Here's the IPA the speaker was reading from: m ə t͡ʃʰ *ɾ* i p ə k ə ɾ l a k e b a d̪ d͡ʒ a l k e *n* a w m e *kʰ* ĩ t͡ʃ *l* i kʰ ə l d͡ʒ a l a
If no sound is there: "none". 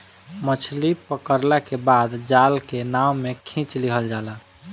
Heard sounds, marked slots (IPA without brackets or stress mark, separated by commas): l, n, kʰ, l